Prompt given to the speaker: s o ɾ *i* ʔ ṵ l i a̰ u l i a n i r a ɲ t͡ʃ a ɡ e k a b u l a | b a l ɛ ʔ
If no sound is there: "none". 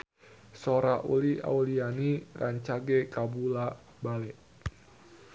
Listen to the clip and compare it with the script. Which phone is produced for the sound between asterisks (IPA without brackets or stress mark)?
a